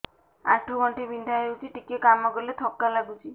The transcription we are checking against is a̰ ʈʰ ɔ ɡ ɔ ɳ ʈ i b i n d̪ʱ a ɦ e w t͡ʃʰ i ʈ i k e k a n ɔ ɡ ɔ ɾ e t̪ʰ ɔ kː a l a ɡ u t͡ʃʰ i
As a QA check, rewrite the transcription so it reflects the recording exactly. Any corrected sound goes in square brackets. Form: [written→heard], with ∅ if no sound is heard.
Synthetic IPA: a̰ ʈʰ [ɔ→u] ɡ ɔ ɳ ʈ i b i n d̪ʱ a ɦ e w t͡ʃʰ i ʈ i k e k a [n→m] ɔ ɡ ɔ [ɾ→l] e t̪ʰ ɔ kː a l a ɡ u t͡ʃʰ i